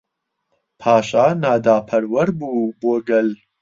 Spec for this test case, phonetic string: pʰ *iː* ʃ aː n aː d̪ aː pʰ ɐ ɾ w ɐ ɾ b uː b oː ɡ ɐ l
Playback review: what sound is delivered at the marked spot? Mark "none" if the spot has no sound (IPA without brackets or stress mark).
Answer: aː